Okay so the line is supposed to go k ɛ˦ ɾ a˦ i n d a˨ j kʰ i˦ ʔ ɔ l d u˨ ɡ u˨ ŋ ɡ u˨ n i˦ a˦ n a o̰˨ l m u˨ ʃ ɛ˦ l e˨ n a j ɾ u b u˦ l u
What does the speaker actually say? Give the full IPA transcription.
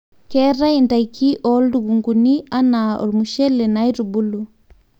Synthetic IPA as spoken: k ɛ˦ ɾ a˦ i n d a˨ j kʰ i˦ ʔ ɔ l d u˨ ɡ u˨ ŋ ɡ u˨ n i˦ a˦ n a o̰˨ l m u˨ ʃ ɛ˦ l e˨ n a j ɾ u b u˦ l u